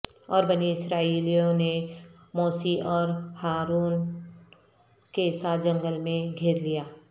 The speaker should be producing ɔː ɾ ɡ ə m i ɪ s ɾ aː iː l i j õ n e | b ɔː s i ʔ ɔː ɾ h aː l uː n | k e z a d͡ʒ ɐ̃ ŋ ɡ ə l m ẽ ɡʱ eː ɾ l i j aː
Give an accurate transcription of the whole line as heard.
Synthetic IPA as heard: ɔː ɾ b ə n i ɪ s ɾ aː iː l i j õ n e | m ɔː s i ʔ ɔː ɾ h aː ɾ uː n | k e s a d͡ʒ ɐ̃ ŋ ɡ ə l m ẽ ɡʱ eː ɾ l i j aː